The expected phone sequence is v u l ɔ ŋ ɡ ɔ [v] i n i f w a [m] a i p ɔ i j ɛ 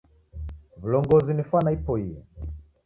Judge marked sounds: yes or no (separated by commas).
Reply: no, no